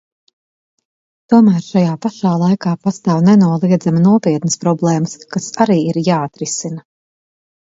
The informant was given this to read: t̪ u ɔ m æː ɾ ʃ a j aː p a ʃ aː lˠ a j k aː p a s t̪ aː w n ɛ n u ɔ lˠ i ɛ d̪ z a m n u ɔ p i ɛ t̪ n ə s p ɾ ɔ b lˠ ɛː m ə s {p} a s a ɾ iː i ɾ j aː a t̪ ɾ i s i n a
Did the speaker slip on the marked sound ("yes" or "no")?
yes